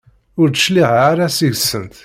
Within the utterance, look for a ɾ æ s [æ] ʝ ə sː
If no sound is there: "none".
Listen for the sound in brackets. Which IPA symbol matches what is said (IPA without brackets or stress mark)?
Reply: i